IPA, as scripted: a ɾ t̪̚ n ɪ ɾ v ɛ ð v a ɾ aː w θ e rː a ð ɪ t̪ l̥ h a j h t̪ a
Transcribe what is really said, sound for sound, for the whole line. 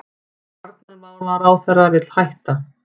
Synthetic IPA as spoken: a ɾ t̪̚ n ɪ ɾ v a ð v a ɾ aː w θ ɛ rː a v ɪ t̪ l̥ h a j h t̪ a